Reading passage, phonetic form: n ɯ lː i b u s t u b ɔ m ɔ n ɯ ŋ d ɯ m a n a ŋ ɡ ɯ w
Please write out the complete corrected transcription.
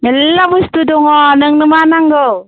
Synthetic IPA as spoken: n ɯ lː a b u s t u d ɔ ŋ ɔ n ɯ ŋ n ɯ m a n a ŋ ɡ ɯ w